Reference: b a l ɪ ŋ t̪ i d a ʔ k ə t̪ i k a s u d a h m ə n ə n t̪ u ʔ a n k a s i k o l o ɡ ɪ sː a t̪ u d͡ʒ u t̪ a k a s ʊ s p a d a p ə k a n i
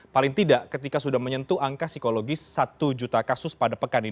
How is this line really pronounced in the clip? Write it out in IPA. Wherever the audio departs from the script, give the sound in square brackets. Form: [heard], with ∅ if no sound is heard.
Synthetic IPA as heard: [p] a l ɪ ŋ t̪ i d a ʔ k ə t̪ i k a s u d a h m ə [ɲ] ə n t̪ u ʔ a [ŋ] k a s i k o l o ɡ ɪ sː a t̪ u d͡ʒ u t̪ a k a s ʊ s p a d a p ə k a n i

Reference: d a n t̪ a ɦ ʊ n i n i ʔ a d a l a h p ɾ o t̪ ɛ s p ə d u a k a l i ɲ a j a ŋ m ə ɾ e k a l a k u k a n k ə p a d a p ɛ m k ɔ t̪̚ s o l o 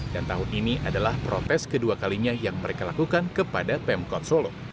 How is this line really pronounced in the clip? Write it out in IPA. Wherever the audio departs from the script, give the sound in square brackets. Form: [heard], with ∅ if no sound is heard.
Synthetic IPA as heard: d a n t̪ a ɦ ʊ n i n i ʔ a d a l a h p ɾ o t̪ ɛ s [k] ə d u a k a l i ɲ a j a ŋ m ə ɾ e k a l a k u k a n k ə p a d a p ɛ m k ɔ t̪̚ s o l o

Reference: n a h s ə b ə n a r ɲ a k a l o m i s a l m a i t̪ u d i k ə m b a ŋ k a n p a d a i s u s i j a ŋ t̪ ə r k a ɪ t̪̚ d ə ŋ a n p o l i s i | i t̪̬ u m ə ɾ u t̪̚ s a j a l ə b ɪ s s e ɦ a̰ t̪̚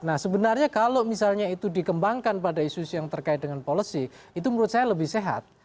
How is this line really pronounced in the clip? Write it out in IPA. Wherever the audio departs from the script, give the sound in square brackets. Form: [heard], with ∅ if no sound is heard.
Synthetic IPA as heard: n a h s ə b ə n a r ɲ a k a l o m i s a l [ɲ] a i t̪ u d i k ə m b a ŋ k a n p a d a i s u s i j a ŋ t̪ ə r k a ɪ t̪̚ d ə ŋ a n p o l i s i | i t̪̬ u m ə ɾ u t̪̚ s a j a l ə b ɪ [h] s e ɦ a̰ t̪̚

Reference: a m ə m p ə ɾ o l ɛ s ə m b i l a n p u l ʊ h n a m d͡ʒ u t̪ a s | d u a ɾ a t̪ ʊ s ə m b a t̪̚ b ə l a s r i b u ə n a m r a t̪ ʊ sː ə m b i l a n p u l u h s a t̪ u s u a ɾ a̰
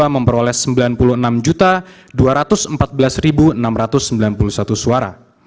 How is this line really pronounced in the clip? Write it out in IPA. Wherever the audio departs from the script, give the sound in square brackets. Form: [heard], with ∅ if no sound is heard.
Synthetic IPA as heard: a m ə m p ə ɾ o l ɛ s ə m b i l a n p u l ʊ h n a m d͡ʒ u t̪ a [∅] | d u a ɾ a t̪ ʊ s ə m [p] a t̪̚ b ə l a s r i b u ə n a m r a t̪ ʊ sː ə m b i l a n p u l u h s a t̪ u s u a ɾ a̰

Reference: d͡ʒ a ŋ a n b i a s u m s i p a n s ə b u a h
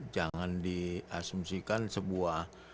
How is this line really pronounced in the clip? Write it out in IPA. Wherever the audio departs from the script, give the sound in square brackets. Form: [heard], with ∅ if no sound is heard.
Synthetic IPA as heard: d͡ʒ a ŋ a n [d] i a s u m s i [k] a n s ə b u a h

